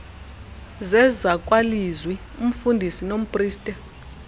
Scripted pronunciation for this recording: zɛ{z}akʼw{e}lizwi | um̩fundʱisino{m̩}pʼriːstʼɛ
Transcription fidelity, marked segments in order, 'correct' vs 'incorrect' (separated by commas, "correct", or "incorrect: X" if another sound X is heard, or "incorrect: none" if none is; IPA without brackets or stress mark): correct, incorrect: a, correct